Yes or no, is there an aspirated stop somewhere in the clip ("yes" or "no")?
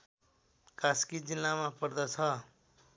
yes